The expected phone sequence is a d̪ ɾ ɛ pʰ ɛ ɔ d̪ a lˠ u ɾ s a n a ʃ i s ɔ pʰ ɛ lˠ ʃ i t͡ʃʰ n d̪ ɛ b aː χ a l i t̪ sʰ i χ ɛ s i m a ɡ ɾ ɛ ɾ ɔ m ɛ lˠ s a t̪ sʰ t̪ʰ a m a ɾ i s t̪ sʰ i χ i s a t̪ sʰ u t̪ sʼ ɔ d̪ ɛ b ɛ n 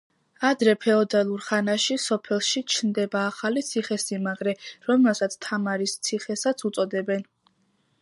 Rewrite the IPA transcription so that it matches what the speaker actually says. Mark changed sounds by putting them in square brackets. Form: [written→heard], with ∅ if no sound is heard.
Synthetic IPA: a d̪ ɾ ɛ pʰ ɛ ɔ d̪ a lˠ u ɾ [s→χ] a n a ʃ i s ɔ pʰ ɛ lˠ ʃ i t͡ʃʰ n d̪ ɛ b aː χ a l i t̪ sʰ i χ ɛ s i m a ɡ ɾ ɛ ɾ ɔ m ɛ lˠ s a t̪ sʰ t̪ʰ a m a ɾ i s t̪ sʰ i χ [i→ɛ] s a t̪ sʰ u t̪ sʼ ɔ d̪ ɛ b ɛ n